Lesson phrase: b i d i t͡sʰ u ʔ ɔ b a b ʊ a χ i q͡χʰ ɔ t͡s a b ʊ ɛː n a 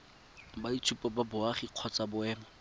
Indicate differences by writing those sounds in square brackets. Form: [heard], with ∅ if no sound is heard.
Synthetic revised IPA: b [a] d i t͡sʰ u [p] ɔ b a b ʊ a χ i q͡χʰ ɔ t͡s a b ʊ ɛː [m] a